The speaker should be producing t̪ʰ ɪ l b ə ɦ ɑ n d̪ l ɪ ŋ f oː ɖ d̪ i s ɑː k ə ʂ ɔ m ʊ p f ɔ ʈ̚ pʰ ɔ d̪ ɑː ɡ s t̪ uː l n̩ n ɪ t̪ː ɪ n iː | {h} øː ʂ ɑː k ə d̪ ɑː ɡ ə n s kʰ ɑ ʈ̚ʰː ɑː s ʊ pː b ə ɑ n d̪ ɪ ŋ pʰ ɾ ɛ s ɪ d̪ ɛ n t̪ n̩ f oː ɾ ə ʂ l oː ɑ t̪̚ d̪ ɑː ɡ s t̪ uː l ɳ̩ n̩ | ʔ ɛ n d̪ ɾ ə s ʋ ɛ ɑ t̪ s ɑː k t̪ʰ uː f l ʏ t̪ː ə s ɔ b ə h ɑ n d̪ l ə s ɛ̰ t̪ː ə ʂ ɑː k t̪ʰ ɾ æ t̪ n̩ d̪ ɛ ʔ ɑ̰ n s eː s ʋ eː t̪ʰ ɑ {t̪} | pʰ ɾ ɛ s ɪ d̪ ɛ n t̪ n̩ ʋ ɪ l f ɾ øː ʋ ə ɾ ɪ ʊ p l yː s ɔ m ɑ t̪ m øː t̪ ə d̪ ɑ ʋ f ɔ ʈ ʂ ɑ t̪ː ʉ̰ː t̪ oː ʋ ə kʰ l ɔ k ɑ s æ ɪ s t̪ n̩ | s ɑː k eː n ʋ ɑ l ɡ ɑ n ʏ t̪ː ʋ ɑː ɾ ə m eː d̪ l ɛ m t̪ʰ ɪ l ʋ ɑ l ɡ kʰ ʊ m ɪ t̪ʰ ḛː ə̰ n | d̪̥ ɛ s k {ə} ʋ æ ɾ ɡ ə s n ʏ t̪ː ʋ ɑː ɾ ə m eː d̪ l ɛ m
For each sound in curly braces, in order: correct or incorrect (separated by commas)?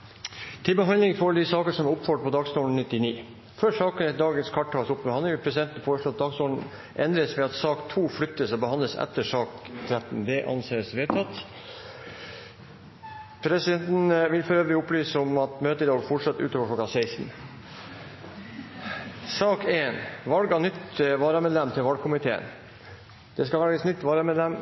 incorrect, correct, incorrect